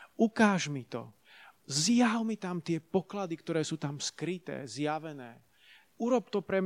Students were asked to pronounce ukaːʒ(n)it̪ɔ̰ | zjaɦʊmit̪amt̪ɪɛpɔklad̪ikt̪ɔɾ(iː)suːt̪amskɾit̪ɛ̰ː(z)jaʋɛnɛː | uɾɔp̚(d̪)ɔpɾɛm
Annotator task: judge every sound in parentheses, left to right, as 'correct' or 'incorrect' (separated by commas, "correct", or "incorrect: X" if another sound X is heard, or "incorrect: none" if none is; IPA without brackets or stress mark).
incorrect: m, incorrect: ɛː, correct, incorrect: t̪